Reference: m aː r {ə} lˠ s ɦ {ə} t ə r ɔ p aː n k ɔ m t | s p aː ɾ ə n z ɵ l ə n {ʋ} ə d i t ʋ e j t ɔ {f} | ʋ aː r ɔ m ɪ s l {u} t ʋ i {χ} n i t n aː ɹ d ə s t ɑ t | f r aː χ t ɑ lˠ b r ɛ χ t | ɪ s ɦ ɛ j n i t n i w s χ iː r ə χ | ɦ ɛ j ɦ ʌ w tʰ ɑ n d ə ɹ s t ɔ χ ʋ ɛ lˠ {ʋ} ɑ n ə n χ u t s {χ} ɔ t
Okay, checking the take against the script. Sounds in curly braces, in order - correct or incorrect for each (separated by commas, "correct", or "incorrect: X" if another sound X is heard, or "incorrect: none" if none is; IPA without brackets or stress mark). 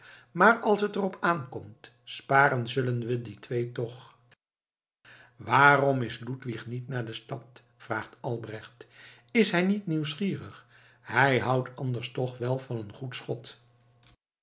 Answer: incorrect: ɑ, correct, correct, incorrect: χ, correct, correct, incorrect: v, correct